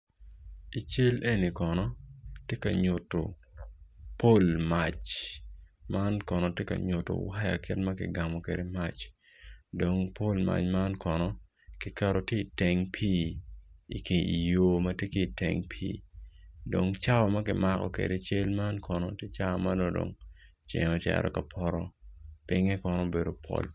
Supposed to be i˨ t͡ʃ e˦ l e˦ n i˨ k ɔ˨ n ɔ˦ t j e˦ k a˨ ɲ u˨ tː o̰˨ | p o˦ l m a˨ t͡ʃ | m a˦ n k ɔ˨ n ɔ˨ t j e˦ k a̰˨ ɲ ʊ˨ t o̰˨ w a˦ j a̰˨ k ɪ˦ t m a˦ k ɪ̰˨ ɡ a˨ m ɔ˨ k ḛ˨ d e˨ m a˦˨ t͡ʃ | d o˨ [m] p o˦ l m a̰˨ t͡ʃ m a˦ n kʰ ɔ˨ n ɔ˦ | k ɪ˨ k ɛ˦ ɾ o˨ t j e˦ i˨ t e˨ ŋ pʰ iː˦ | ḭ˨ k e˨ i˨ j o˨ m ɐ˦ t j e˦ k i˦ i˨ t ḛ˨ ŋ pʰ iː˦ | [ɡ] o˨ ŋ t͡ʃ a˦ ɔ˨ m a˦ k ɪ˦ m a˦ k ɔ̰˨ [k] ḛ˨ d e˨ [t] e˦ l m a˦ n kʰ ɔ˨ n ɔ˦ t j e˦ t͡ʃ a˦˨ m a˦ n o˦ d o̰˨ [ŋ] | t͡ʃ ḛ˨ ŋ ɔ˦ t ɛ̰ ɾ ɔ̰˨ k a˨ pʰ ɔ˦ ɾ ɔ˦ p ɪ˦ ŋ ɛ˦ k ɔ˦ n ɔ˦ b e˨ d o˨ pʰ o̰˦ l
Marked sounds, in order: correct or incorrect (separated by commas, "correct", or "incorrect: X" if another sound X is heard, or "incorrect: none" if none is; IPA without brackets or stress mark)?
incorrect: ŋ, incorrect: d, correct, incorrect: t͡ʃ, correct